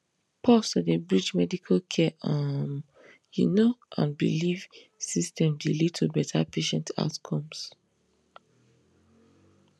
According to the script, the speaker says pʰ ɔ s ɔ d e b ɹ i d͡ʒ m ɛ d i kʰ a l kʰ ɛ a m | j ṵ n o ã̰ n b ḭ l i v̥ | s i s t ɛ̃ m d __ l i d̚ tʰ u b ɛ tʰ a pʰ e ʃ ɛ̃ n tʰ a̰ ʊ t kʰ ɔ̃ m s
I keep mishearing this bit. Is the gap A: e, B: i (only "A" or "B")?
B